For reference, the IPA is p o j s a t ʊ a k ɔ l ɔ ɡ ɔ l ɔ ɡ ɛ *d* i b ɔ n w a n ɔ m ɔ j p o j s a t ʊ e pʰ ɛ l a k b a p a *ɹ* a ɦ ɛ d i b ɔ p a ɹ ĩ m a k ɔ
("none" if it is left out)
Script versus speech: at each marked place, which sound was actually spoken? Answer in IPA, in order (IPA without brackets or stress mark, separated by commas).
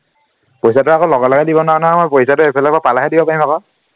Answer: d, l